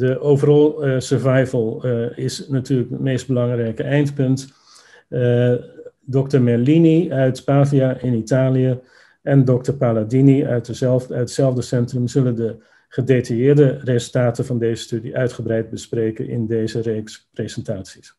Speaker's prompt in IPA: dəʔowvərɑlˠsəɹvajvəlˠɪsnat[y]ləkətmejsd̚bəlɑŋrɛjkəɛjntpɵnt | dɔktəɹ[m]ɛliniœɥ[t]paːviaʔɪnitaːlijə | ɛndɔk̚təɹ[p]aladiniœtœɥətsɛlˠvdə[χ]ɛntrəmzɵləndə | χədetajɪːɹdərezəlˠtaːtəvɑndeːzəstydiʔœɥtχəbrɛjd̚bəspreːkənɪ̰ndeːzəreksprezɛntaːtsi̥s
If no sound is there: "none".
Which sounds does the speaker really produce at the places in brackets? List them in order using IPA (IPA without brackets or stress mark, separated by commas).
yː, m, t, p, s